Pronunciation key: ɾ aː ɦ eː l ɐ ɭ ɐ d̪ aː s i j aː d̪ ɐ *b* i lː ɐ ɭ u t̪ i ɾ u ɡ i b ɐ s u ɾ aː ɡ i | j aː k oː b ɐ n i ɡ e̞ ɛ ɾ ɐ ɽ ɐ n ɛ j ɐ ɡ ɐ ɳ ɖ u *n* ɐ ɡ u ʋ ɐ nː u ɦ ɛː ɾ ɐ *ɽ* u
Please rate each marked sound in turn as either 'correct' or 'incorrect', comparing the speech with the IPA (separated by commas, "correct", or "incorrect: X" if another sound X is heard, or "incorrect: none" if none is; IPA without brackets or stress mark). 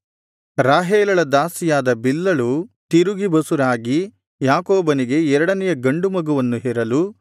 correct, incorrect: m, incorrect: l